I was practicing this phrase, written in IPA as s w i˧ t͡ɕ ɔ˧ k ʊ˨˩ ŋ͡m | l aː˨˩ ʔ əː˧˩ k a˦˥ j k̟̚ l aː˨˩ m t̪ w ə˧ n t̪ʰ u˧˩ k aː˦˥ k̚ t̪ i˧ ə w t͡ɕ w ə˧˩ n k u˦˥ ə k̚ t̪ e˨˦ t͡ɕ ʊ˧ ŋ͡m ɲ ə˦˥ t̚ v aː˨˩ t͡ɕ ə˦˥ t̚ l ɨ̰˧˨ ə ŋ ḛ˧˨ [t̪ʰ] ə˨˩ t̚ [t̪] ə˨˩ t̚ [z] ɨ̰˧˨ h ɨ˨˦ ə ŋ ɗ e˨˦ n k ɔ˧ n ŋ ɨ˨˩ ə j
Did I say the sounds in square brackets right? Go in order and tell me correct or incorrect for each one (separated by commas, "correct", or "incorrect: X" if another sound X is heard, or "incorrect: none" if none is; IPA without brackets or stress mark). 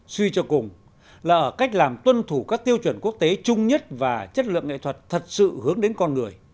correct, incorrect: t̪ʰ, incorrect: s